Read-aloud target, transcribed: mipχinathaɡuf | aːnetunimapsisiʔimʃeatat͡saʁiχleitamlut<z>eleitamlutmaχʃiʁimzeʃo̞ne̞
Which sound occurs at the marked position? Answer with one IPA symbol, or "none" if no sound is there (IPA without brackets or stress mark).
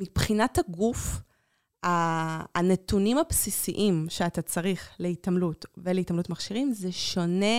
v